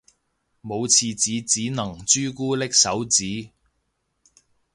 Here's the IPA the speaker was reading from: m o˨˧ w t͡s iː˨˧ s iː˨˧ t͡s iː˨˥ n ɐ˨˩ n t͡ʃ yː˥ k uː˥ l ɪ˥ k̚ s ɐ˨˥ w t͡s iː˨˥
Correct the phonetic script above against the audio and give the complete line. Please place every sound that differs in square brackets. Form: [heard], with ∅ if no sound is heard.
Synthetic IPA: m o˨˧ w [t͡sʰ] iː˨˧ [t͡s] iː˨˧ t͡s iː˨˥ n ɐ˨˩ [ŋ] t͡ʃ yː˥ k uː˥ l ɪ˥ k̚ s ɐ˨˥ w t͡s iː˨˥